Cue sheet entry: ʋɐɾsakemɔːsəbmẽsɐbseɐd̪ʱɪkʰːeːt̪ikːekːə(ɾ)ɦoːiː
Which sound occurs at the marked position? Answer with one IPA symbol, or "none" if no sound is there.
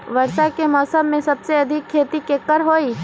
ɾ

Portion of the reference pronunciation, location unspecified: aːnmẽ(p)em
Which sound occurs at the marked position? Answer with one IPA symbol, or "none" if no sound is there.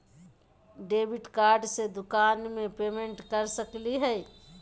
p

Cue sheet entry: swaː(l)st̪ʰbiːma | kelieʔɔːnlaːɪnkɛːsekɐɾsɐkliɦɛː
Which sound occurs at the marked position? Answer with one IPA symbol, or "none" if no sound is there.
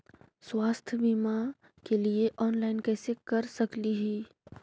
none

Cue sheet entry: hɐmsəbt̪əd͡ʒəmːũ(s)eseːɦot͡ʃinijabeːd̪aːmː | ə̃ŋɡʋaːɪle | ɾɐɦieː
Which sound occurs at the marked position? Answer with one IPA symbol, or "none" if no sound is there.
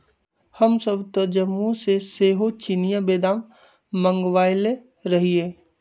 s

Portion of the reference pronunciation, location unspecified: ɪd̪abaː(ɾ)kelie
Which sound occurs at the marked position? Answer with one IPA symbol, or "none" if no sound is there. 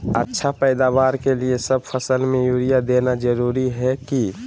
ɾ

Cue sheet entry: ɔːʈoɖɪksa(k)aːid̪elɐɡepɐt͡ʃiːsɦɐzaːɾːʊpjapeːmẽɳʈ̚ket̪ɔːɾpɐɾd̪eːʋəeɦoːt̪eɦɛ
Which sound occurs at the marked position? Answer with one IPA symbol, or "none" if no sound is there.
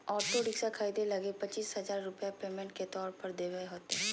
kʰ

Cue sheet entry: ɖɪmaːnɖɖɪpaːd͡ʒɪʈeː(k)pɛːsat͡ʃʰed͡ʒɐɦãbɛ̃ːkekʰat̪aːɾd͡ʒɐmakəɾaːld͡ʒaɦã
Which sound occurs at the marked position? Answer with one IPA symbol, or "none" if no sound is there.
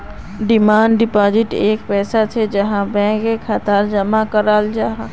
k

